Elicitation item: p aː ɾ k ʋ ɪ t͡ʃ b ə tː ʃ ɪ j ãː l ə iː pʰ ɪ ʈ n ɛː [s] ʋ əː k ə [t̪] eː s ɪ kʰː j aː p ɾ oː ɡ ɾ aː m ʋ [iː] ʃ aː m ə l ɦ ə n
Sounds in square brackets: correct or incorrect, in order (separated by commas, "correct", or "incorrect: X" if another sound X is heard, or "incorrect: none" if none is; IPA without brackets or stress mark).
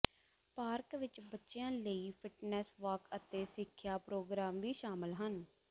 correct, correct, correct